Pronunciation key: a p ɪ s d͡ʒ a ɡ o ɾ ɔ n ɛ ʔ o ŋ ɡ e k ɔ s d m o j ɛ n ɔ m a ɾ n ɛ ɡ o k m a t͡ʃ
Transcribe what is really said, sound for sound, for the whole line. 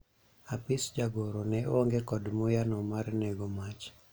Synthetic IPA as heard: a p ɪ s d͡ʒ a ɡ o ɾ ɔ n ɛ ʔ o ŋ ɡ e k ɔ d m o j a n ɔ m a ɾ n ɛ ɡ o m a t͡ʃ